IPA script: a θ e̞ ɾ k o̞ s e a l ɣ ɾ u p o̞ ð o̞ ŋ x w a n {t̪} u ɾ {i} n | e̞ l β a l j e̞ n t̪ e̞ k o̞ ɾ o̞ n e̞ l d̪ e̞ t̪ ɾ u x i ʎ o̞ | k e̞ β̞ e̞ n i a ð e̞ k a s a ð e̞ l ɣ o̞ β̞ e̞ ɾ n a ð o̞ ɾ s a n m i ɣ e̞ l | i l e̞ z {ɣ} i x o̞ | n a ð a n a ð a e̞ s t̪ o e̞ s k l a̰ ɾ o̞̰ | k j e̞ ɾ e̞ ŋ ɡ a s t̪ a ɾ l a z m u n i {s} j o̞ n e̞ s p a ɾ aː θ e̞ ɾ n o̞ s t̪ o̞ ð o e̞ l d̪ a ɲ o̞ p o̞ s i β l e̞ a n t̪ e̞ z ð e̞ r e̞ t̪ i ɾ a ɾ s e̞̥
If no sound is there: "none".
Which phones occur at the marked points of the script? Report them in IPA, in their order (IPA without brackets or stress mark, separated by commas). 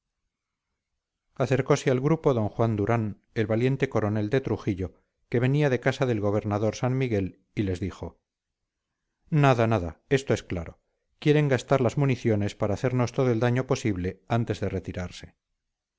d̪, a, ð, θ